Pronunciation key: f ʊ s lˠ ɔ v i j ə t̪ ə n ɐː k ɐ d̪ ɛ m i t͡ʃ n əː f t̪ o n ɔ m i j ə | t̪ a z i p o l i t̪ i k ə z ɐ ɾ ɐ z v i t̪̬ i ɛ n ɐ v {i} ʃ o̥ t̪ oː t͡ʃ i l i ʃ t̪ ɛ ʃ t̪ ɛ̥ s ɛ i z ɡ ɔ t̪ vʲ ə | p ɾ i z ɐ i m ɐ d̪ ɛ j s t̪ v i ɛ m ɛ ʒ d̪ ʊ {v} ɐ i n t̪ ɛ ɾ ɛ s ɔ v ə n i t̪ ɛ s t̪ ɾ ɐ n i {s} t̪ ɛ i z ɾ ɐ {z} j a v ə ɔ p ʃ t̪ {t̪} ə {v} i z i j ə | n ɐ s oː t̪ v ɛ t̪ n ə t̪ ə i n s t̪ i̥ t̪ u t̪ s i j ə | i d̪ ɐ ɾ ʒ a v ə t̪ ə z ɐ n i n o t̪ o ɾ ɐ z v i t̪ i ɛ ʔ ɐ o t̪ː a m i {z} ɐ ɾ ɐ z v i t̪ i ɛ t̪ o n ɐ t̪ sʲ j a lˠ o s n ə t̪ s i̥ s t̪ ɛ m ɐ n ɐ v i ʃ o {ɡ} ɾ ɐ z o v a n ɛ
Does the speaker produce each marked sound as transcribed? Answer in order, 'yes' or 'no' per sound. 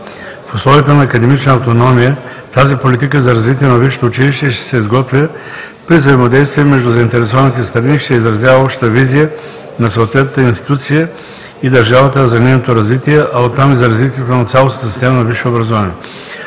yes, no, no, yes, yes, yes, yes, no

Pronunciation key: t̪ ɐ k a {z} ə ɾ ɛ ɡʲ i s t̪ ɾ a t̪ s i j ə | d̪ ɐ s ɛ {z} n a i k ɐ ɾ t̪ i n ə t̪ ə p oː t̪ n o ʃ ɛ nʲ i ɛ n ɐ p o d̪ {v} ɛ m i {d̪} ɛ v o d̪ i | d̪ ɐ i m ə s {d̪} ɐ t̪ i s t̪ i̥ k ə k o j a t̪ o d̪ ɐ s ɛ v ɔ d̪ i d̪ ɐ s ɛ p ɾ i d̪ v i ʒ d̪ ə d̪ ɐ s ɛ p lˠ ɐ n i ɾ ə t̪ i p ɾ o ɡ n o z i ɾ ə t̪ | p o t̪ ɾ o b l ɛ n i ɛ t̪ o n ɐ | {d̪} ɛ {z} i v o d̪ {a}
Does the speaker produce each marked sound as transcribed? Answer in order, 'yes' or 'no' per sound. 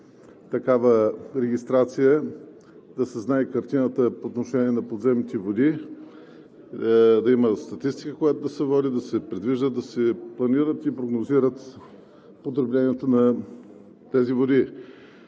no, yes, no, no, no, no, yes, no

